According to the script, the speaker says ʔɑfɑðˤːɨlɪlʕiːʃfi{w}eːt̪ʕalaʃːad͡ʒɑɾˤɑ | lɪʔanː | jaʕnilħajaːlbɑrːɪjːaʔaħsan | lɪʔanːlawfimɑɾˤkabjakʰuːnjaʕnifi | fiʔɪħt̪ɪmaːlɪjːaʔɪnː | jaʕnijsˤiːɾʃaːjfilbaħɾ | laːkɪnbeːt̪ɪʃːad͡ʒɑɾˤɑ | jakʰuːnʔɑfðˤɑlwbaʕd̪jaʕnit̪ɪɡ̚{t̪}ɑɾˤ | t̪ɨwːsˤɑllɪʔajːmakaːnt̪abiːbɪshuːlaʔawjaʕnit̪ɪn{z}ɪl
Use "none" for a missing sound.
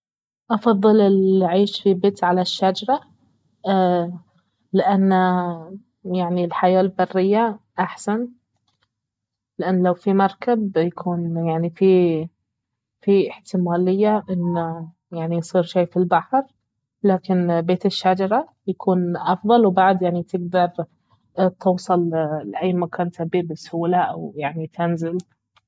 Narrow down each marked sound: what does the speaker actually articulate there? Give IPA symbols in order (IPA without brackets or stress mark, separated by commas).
b, d̪, z